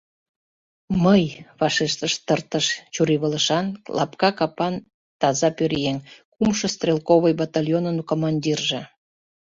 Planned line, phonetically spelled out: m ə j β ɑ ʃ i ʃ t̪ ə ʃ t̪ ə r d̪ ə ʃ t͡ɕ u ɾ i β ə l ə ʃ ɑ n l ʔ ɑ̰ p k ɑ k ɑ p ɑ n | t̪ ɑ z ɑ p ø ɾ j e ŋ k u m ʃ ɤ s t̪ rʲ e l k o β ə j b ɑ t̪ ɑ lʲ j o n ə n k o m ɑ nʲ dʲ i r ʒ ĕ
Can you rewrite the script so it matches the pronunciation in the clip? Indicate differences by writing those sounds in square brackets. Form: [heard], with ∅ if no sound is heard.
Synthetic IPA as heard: m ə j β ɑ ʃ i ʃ t̪ ə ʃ t̪ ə r [t̪] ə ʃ t͡ɕ u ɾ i β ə l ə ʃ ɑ n l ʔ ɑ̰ p k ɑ k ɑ p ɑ n | t̪ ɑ z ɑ p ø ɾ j e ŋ k u m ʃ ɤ s t̪ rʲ e l k o β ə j b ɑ t̪ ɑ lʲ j o n ə n k o m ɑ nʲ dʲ i r ʒ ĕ